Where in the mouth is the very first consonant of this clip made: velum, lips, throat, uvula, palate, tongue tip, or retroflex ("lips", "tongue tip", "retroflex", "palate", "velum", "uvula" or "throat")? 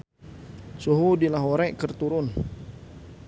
tongue tip